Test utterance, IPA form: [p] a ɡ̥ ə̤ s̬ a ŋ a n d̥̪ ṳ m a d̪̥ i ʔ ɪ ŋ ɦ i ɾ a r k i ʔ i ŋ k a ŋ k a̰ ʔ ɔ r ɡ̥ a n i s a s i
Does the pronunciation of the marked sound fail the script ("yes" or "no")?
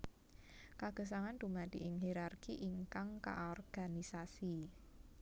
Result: yes